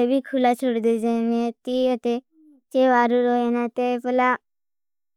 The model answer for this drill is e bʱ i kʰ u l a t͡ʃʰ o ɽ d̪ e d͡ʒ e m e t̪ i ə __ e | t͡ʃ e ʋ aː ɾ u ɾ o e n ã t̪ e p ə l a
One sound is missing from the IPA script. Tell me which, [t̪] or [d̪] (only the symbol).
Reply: t̪